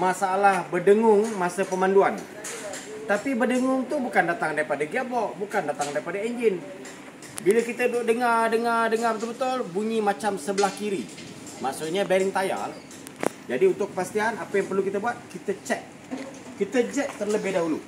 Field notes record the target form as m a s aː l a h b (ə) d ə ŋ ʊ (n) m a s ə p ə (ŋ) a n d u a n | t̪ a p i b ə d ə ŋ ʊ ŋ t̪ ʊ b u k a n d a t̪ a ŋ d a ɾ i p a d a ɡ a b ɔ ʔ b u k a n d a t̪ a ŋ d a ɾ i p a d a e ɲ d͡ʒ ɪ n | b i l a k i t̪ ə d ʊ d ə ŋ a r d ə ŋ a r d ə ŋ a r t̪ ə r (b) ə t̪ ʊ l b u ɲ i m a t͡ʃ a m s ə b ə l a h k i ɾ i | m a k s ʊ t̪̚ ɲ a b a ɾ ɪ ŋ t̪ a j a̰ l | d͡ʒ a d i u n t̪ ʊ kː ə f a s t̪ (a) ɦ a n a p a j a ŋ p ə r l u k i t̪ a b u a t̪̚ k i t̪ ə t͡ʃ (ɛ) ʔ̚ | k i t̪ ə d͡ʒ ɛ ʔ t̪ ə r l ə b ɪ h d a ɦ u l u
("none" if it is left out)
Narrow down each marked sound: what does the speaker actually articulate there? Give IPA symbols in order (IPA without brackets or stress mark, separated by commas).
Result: ə, ŋ, m, b, i, ɛ